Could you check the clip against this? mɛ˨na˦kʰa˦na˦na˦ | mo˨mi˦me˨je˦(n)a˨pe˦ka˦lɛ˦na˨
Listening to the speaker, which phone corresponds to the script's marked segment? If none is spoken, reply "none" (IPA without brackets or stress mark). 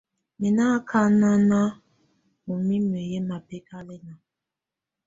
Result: m